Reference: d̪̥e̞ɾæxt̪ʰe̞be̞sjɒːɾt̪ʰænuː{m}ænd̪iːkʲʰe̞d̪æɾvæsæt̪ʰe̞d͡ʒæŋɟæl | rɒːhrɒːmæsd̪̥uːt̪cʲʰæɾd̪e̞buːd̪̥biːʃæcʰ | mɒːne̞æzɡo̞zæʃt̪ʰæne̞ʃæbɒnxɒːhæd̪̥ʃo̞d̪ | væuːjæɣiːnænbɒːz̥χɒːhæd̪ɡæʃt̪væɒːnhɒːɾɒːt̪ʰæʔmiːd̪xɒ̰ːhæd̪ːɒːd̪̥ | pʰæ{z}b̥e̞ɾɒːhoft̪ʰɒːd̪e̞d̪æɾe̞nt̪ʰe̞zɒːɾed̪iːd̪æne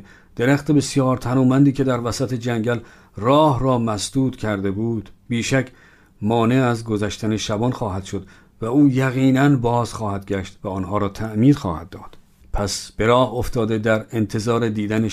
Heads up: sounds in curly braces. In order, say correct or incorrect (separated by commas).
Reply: correct, incorrect